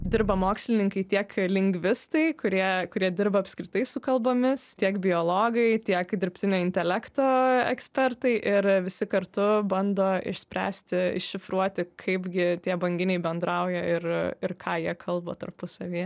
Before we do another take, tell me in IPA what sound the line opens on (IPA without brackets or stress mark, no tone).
d̪ʲ